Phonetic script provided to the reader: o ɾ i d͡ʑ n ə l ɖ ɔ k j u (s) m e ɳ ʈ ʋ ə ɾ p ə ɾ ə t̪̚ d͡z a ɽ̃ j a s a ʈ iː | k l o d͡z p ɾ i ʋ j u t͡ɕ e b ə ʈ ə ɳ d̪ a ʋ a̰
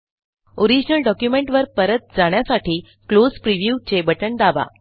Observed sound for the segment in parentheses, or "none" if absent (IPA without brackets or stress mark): none